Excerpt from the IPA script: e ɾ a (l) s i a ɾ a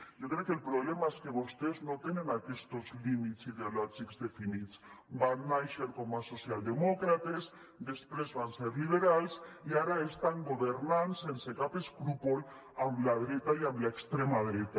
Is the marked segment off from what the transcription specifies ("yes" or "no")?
no